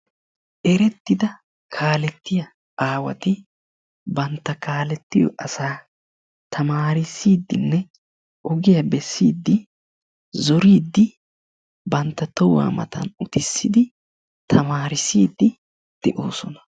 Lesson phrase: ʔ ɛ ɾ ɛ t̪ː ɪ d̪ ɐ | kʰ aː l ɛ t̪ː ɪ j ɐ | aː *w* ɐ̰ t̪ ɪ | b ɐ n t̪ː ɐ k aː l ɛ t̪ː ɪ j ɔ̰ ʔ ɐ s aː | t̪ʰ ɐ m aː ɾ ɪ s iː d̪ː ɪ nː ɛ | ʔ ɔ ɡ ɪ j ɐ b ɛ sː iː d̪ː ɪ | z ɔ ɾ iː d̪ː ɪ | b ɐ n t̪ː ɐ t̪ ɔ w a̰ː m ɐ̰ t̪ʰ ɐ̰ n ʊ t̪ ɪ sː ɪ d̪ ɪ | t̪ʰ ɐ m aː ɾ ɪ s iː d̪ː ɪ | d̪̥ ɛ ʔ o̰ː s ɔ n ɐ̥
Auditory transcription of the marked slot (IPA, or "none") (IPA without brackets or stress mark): w